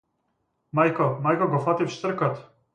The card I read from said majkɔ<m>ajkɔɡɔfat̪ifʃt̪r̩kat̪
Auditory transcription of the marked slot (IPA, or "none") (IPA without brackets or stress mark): m